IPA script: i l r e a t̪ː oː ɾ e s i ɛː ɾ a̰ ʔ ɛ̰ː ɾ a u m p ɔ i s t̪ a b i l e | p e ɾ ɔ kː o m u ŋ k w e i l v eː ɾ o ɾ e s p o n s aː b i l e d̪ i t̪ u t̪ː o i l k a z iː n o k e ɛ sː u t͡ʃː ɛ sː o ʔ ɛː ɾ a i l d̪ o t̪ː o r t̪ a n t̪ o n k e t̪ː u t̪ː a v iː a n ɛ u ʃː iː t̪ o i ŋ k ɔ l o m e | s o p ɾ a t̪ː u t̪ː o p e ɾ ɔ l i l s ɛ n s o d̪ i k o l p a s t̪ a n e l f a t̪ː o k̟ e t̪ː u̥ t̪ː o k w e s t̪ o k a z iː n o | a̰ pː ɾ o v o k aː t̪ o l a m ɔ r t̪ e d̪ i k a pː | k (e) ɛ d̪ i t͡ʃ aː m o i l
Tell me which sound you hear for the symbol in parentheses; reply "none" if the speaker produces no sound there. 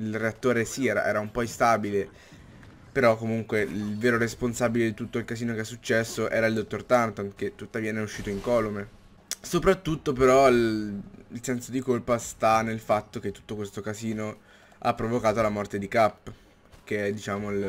e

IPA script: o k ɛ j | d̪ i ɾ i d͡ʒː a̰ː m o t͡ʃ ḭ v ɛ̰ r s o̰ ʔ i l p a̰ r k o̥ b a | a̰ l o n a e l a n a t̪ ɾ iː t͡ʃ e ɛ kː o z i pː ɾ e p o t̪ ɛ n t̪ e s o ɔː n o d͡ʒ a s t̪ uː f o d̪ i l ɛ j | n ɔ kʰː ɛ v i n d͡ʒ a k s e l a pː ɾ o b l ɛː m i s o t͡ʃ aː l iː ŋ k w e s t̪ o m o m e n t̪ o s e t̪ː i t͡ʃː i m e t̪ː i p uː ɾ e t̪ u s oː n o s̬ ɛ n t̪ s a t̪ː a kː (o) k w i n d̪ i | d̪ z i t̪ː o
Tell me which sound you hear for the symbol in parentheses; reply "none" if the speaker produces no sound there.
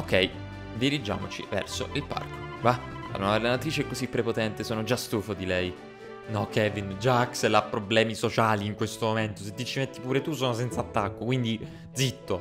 o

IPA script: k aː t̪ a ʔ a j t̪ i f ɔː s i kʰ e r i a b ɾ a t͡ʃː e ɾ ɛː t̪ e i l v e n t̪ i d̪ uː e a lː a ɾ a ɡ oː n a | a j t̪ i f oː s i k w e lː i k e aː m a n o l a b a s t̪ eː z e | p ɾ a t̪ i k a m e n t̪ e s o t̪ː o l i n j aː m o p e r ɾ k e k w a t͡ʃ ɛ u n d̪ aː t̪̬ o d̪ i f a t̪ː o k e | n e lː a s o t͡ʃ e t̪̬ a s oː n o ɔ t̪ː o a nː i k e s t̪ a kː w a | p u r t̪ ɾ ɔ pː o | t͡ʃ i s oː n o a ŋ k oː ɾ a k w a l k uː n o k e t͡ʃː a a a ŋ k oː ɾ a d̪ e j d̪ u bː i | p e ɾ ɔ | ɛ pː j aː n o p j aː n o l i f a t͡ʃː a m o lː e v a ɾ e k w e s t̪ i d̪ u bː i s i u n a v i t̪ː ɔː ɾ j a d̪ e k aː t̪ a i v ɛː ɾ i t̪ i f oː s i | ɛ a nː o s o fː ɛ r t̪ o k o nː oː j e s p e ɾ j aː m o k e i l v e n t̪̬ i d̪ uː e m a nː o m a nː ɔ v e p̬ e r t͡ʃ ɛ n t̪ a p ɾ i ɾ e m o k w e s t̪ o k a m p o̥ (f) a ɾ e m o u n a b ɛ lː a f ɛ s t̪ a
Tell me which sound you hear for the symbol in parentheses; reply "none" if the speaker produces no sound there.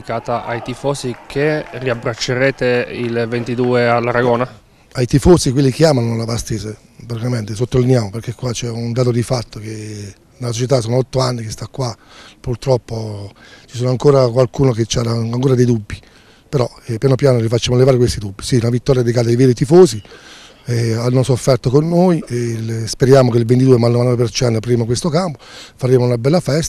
f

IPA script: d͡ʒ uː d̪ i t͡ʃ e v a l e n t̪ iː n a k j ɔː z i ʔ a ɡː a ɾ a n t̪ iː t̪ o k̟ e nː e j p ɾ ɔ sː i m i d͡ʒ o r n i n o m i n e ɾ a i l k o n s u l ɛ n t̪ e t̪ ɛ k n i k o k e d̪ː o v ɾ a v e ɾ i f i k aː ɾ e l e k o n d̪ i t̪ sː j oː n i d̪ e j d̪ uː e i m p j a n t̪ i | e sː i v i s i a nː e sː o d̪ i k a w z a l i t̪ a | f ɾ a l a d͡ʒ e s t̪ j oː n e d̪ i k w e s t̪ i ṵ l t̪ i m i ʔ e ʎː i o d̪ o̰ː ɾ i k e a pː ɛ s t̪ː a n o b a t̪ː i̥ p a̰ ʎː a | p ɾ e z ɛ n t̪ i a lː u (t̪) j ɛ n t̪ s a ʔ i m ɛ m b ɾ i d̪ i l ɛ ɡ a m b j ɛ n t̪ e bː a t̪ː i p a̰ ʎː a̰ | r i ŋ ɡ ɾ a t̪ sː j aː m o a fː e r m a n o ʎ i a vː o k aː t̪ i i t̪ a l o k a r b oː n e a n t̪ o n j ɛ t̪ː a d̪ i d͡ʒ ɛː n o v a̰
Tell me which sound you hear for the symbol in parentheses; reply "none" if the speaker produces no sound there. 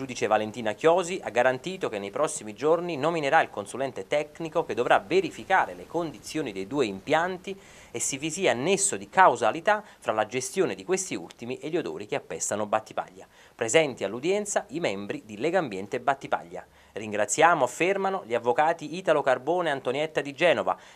d̪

